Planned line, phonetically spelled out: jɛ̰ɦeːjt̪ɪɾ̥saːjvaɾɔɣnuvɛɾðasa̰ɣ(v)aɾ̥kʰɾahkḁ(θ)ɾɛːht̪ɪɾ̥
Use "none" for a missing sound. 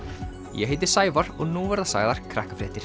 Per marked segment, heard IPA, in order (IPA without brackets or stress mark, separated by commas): ð, f